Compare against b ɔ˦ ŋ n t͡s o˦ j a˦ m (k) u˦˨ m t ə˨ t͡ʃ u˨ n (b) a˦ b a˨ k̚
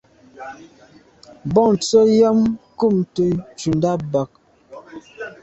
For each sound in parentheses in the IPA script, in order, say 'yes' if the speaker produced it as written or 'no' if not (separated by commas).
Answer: yes, no